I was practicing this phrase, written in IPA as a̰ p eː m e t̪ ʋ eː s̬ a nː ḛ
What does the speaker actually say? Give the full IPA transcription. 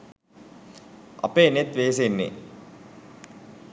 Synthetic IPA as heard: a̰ p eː n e t̪ ʋ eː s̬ e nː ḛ